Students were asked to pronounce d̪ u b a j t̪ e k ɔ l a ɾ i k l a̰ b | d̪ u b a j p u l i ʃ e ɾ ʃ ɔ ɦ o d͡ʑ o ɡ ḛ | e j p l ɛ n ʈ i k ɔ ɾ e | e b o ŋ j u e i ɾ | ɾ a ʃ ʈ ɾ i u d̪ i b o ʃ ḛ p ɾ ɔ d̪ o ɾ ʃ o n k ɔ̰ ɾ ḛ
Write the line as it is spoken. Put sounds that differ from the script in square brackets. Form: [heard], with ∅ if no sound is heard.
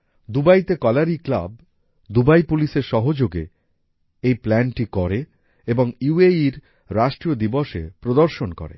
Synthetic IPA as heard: d̪ u b a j t̪ e k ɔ l a ɾ i k l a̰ b | d̪ u b a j p u l i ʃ e ɾ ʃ ɔ ɦ o d͡ʑ o ɡ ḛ | e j p l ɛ n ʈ i k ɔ ɾ e | e b o ŋ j u e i ɾ | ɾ a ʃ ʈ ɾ i [o] d̪ i b o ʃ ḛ p ɾ [o] d̪ o ɾ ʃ o n k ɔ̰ ɾ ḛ